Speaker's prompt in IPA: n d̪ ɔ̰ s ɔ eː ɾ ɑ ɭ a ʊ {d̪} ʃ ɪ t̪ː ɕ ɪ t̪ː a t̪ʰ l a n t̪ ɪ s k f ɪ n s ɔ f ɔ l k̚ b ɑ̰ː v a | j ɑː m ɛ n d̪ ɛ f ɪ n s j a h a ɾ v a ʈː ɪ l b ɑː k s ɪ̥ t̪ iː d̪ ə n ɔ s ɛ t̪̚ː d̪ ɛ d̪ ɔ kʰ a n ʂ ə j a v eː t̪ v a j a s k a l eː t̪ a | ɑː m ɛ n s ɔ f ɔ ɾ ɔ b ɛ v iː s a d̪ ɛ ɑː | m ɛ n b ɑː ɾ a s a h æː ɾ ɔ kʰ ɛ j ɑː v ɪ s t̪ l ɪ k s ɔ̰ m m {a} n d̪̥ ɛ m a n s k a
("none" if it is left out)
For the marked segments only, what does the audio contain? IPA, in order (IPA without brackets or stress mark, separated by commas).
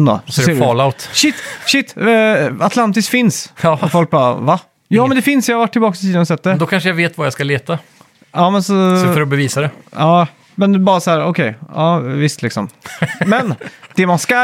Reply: t̪, ɛ